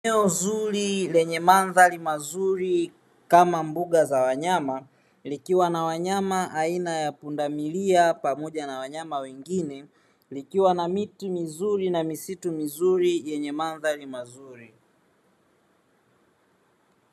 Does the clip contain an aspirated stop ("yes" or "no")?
no